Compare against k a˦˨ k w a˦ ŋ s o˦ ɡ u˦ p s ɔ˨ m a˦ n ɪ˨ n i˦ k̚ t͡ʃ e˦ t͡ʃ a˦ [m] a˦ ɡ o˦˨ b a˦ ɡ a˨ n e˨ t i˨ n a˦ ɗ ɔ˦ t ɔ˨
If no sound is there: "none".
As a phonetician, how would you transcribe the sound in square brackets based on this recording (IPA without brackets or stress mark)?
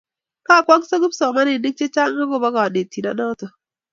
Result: ŋ